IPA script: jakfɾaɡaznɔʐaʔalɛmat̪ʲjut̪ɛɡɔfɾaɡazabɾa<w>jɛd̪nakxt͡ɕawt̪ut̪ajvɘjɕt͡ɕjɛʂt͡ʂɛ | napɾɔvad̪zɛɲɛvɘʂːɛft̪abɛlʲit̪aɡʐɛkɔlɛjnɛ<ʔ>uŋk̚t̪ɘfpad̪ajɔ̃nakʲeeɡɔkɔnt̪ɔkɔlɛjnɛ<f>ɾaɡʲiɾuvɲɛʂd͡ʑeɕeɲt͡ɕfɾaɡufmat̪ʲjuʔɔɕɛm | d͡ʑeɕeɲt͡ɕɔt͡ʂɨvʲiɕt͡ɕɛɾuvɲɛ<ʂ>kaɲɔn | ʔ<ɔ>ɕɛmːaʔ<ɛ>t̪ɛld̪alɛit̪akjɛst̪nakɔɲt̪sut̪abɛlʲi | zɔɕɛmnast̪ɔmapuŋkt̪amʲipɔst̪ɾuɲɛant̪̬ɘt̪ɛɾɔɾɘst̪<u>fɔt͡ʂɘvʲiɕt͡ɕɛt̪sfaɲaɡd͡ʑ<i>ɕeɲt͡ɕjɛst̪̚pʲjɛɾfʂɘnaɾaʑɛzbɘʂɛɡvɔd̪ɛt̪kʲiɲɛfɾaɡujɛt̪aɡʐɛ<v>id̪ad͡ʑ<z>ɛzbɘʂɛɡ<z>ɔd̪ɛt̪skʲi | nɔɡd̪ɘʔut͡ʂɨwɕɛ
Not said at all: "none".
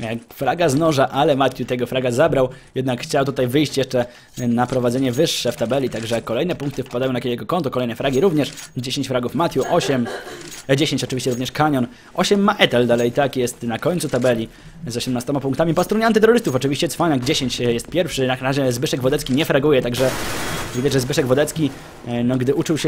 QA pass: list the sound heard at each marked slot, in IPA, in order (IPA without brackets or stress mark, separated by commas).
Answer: w, p, f, ʂ, ɔ, ɛ, u, e, v, ʐ, v